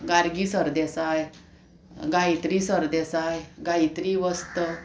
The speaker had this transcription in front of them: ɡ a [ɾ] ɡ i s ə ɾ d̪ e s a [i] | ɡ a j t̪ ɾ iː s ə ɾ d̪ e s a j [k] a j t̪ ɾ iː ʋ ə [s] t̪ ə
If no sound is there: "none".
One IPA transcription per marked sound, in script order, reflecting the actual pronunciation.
ɾ, j, ɡ, s

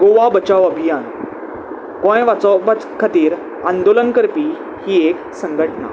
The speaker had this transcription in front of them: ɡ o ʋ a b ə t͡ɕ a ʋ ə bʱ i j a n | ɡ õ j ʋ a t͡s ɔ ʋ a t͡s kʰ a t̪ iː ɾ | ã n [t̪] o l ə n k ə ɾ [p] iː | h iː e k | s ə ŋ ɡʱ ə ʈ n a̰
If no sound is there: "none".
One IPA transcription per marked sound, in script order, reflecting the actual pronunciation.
d̪, p

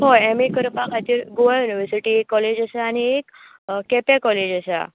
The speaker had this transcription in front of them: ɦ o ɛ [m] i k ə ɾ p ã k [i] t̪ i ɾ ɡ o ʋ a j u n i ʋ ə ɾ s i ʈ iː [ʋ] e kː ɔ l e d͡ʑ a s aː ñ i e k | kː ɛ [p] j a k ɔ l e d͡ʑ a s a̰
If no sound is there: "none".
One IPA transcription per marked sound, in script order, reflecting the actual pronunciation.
m, a, none, p

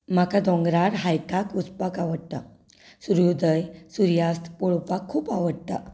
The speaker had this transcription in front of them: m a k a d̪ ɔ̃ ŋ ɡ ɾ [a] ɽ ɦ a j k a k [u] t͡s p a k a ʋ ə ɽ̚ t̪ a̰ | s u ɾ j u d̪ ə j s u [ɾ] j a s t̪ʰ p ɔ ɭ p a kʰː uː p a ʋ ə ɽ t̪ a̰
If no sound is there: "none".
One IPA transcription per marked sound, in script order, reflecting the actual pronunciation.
a, u, ɾ

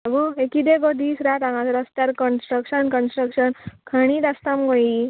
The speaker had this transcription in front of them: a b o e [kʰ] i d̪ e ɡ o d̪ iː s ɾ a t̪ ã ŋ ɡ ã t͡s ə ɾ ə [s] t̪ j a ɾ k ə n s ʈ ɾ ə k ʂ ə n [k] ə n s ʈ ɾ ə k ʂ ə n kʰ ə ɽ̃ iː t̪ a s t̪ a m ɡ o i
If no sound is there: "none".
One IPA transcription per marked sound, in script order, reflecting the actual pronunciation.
k, s, k

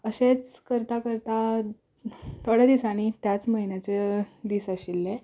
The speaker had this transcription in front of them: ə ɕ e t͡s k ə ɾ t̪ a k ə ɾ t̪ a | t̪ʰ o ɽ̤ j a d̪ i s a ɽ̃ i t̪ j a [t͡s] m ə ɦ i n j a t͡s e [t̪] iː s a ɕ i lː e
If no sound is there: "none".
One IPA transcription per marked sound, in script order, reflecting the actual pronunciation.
t͡s, d̪

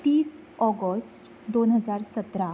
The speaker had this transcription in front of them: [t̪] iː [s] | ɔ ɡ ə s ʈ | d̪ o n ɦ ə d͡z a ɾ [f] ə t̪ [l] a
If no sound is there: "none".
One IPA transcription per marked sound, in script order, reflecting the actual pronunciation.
t̪, s, s, ɾ

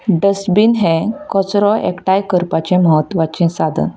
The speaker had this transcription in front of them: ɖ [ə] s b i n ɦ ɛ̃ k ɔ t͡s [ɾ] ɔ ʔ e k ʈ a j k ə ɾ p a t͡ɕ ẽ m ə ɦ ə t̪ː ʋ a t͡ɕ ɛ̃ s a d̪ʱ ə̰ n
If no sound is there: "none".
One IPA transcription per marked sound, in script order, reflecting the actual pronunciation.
ə, ɾ

